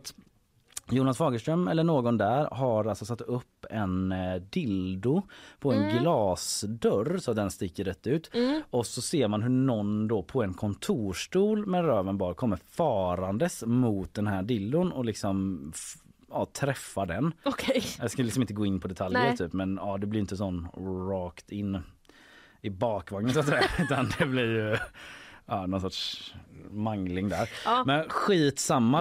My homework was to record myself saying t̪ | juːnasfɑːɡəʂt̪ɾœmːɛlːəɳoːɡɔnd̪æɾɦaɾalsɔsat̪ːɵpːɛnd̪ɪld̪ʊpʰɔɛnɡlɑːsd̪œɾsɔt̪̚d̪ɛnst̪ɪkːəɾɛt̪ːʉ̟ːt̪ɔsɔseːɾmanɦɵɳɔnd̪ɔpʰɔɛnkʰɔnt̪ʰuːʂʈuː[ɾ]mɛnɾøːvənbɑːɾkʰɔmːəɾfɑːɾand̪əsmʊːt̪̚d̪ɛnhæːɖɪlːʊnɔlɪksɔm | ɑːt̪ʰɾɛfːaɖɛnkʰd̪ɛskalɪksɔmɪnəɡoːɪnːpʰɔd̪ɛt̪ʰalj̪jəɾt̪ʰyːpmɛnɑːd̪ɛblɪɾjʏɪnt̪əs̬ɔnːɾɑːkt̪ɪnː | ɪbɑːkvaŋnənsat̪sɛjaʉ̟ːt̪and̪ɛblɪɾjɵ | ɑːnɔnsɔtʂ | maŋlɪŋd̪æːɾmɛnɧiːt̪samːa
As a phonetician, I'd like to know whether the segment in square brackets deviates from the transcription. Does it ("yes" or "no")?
yes